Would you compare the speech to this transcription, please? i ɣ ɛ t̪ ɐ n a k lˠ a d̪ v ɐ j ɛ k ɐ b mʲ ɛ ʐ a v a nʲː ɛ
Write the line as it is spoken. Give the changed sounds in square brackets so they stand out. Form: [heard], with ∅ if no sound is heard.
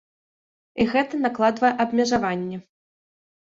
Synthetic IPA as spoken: i ɣ ɛ t̪ ɐ n a k lˠ a d̪ v ɐ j ɛ [ʔ] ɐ b mʲ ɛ ʐ a v a nʲː ɛ